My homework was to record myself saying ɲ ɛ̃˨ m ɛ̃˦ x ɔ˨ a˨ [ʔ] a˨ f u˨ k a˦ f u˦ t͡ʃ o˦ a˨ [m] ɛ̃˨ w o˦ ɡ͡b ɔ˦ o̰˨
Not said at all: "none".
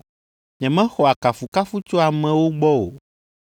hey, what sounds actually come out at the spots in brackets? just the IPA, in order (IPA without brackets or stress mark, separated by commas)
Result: k, m